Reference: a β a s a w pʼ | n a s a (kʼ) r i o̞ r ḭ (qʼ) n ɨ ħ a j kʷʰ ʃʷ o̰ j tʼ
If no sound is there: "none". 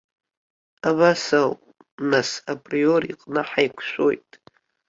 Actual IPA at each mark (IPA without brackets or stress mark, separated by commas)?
pʼ, qʼ